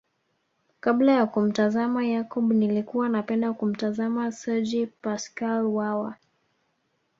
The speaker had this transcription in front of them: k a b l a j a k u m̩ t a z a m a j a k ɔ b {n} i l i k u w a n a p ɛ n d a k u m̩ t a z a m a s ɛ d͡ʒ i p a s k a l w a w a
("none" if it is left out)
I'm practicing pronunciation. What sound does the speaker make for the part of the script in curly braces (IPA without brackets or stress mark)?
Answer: n